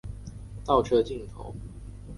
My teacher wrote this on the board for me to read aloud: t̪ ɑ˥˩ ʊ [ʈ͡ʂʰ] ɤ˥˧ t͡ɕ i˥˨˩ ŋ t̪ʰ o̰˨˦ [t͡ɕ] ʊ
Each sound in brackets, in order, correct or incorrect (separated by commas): correct, incorrect